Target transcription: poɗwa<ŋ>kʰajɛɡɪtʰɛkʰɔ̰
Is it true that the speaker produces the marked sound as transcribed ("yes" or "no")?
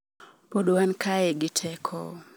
no